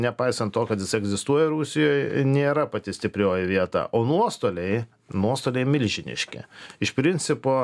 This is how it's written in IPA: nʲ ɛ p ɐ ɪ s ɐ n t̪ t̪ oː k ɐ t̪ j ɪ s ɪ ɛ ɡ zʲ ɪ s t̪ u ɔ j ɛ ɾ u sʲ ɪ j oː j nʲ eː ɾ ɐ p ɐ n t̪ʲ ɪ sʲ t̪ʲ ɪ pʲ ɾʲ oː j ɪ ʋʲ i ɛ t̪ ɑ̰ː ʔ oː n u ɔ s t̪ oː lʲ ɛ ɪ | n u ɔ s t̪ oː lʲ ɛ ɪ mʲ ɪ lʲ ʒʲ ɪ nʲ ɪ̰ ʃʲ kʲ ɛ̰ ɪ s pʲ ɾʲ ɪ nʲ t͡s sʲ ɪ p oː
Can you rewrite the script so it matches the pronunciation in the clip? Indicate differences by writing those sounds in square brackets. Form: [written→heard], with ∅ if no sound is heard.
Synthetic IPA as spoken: nʲ ɛ p ɐ ɪ s ɐ n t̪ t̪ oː k ɐ t̪ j ɪ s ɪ ɛ ɡ zʲ ɪ s t̪ u ɔ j ɛ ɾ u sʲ ɪ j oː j nʲ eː ɾ ɐ p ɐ [n→∅] t̪ʲ ɪ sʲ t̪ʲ ɪ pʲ ɾʲ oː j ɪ ʋʲ i ɛ t̪ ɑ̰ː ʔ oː n u ɔ s t̪ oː lʲ ɛ ɪ | n u ɔ s t̪ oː lʲ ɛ ɪ mʲ ɪ lʲ ʒʲ ɪ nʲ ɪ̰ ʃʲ kʲ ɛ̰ ɪ [s→ʃ] pʲ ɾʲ ɪ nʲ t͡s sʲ ɪ p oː